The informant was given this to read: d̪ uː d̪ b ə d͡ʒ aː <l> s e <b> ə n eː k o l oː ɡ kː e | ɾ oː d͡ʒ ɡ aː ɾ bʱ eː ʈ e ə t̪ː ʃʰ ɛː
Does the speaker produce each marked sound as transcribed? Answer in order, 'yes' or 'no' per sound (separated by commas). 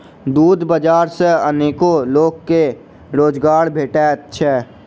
no, no